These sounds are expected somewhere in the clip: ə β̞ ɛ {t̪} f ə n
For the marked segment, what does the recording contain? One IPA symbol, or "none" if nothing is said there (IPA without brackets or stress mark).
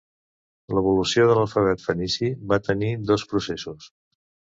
t̪